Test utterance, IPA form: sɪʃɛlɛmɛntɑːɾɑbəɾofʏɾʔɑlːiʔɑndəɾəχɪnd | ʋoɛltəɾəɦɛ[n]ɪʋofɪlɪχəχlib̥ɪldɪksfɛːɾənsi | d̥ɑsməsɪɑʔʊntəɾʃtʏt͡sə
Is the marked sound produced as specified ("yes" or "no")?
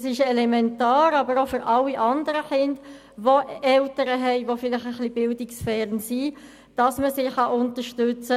no